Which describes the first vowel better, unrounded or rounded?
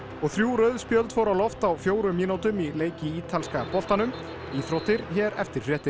rounded